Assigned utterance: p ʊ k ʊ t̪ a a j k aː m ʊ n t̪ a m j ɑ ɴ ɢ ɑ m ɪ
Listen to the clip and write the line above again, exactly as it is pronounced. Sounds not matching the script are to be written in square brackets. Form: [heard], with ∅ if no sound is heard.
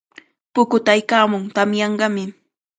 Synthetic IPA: p ʊ k ʊ t̪ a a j k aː m ʊ [ŋ] t̪ a m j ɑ ɴ ɢ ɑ m ɪ